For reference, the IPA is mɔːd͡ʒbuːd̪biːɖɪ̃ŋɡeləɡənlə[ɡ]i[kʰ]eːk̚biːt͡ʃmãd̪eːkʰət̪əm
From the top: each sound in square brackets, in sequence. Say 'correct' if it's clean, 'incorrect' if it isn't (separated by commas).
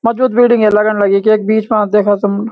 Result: correct, incorrect